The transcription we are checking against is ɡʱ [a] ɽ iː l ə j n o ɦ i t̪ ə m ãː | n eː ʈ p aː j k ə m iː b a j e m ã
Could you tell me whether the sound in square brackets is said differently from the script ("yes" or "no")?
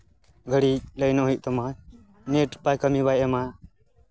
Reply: yes